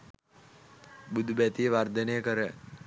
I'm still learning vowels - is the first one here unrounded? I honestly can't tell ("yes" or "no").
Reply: no